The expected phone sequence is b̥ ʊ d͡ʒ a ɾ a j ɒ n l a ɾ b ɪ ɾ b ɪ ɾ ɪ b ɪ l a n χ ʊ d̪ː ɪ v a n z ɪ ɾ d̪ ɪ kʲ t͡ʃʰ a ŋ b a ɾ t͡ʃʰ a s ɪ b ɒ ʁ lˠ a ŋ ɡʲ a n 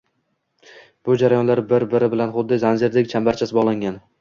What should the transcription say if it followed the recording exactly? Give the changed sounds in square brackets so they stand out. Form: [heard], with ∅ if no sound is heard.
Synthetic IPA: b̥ ʊ d͡ʒ a ɾ a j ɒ n l a ɾ b ɪ ɾ b ɪ ɾ ɪ b ɪ l a n χ ʊ d̪ː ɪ [z] a n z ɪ ɾ d̪ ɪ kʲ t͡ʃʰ a [m] b a ɾ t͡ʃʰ a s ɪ b ɒ ʁ lˠ a ŋ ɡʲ a n